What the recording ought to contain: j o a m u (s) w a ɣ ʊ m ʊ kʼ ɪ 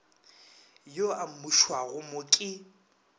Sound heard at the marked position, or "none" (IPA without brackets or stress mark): ʃ